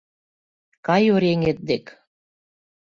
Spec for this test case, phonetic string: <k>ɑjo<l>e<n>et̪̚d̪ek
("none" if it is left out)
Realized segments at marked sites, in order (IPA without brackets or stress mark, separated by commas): k, ɾ, ŋ